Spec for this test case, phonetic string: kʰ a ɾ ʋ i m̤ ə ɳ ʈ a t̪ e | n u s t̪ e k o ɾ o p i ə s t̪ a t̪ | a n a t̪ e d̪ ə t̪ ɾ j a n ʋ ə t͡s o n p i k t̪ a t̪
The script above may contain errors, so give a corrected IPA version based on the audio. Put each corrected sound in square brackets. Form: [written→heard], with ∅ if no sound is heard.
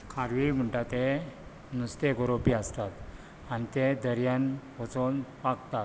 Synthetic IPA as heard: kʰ a ɾ ʋ i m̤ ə ɳ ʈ a t̪ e | n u s t̪ e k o ɾ o p i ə s t̪ a t̪ | a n [a→i] t̪ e d̪ ə [t̪→∅] ɾ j a n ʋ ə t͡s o n p [i→a] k t̪ a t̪